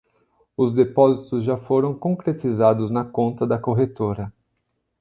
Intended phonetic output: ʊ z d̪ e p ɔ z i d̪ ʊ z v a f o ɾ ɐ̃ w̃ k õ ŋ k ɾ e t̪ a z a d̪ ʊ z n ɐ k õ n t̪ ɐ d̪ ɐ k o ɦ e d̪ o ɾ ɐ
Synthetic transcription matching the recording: ʊ z d̪ e p ɔ z i t̪ ʊ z ʒ a f o ɾ ɐ̃ w̃ k õ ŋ k ɾ e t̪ i z a d̪ ʊ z n ɐ k õ n t̪ ɐ d̪ ɐ k o ɦ e t̪ o ɾ ɐ